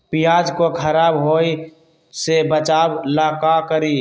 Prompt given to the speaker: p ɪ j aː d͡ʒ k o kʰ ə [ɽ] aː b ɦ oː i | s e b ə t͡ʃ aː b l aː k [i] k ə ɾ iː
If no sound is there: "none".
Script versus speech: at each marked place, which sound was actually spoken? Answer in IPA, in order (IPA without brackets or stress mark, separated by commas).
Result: ɾ, a